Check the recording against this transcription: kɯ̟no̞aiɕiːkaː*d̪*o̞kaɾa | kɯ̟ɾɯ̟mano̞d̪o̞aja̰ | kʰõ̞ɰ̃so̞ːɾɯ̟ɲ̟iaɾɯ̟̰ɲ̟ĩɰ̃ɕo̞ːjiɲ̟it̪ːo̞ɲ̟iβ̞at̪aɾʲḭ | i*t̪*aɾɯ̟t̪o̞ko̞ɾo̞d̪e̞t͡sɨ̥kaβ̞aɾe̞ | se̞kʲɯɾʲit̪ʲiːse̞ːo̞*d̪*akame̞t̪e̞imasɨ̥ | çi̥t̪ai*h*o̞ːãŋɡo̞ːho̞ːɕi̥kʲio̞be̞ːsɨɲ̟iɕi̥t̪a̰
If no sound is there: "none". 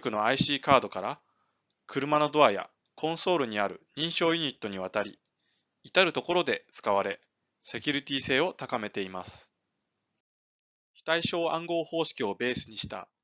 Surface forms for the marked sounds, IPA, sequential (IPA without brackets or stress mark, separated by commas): d̪, t̪, t̪, ɕ